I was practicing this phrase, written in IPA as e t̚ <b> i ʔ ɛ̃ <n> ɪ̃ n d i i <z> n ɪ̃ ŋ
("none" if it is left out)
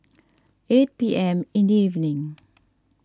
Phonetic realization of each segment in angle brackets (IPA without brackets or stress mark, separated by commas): p, m, v